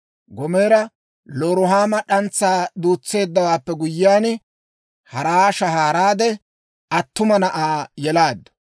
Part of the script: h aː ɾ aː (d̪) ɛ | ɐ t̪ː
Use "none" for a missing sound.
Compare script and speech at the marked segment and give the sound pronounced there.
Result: d̪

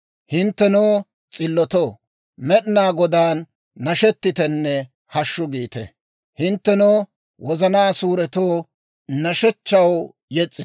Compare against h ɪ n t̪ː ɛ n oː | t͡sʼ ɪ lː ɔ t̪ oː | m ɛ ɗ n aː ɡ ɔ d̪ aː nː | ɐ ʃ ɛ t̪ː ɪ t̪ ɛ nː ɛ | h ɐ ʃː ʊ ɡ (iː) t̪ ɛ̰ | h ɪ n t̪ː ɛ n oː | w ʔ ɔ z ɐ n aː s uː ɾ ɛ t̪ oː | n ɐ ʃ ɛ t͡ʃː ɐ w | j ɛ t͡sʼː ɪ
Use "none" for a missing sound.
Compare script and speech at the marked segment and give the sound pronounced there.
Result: iː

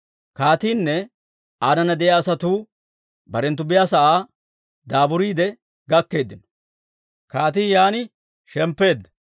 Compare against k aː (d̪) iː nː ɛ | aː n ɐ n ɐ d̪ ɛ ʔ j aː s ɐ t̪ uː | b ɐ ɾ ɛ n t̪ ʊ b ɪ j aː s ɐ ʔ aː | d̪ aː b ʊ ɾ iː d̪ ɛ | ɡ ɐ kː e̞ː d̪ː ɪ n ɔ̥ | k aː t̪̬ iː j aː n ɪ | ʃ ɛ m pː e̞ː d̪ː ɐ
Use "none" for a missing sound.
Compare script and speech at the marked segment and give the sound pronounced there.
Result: t̪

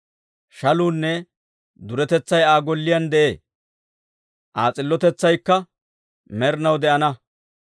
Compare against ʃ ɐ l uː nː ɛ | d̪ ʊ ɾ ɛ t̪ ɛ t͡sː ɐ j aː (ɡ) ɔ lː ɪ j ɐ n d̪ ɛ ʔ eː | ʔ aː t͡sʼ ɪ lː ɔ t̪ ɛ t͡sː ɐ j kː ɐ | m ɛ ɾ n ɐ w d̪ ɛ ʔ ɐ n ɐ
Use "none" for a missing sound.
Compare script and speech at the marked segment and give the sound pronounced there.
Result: ɡ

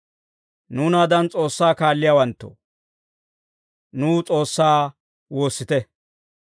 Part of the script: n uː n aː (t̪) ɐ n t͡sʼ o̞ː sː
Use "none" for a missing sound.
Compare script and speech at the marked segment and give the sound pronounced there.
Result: d̪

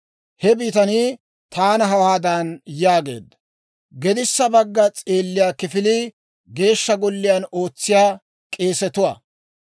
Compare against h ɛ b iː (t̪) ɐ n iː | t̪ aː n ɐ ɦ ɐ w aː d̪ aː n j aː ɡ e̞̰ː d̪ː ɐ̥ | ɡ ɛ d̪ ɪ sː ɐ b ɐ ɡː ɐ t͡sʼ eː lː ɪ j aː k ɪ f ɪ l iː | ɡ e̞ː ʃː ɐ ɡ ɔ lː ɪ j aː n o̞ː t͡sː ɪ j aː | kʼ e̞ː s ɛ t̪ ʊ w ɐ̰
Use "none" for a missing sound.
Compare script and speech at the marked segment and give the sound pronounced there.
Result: t̪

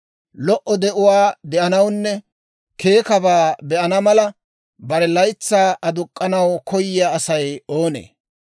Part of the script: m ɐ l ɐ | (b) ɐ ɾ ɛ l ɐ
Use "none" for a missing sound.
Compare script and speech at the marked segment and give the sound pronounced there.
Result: b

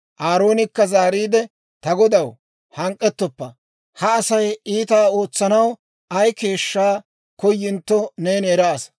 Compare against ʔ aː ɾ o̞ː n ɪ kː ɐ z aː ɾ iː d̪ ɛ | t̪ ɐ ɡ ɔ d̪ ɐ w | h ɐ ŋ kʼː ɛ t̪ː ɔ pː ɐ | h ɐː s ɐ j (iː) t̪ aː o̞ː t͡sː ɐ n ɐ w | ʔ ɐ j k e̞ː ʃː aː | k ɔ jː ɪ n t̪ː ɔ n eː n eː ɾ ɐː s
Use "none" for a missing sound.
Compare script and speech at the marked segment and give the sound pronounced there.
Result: iː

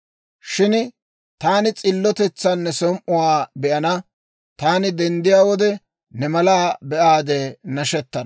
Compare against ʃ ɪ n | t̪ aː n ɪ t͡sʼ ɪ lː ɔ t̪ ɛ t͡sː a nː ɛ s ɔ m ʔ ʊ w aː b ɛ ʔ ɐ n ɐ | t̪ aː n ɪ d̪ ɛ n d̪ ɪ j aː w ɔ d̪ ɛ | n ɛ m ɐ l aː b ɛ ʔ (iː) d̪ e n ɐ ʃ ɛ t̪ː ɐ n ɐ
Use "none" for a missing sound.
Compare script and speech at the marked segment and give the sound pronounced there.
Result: aː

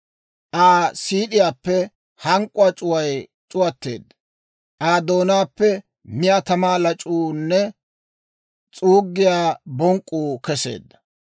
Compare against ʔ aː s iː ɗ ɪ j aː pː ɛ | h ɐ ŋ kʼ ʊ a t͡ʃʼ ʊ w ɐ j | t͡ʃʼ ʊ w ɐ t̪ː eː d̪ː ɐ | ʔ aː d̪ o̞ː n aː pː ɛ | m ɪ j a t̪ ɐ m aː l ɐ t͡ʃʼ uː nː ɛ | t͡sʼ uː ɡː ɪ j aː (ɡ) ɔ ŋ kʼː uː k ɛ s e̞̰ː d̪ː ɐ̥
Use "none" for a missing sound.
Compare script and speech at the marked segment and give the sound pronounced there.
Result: b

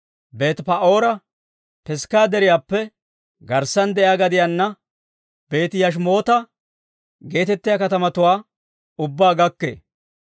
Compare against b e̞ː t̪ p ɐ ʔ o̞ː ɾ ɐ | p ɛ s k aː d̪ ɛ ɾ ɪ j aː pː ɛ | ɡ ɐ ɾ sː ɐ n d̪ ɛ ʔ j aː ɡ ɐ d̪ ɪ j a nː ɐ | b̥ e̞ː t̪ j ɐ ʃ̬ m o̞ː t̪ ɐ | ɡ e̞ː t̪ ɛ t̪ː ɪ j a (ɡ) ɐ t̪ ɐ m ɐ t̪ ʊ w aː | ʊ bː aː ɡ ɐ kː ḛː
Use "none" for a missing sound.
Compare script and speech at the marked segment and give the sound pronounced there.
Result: k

